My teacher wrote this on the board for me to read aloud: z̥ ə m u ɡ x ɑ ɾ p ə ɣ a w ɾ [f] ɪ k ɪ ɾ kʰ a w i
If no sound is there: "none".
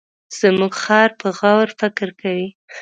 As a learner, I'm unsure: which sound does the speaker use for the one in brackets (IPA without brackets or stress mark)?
f